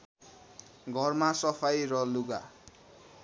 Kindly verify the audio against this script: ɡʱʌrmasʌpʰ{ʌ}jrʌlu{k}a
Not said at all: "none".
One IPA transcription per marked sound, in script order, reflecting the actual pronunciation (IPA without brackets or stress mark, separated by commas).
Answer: a, ɡ